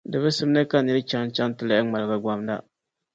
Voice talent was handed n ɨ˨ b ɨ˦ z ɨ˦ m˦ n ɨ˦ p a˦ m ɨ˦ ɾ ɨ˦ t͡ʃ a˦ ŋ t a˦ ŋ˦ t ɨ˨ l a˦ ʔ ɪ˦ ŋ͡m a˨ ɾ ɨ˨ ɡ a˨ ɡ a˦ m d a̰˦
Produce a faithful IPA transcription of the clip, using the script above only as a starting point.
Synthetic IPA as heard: d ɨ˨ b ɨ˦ s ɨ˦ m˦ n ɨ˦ k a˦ n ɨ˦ ɾ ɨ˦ t͡ʃ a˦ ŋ t͡ʃ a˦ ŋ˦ t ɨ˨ l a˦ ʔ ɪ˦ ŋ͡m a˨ l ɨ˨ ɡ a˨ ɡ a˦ m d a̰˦